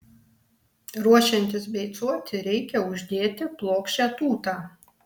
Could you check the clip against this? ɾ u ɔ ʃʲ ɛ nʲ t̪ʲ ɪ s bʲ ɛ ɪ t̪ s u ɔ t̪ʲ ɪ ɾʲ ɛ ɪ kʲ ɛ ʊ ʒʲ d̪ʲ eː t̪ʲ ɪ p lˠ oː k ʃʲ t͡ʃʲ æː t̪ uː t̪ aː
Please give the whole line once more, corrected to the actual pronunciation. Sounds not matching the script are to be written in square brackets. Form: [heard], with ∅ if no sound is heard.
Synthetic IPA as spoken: ɾ u ɔ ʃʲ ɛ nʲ t̪ʲ ɪ s bʲ ɛ ɪ t̪ s u ɔ t̪ʲ ɪ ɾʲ ɛ ɪ kʲ ɛ ʊ ʒʲ d̪ʲ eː t̪ʲ ɪ p lˠ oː k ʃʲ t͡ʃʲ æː t̪ uː t̪ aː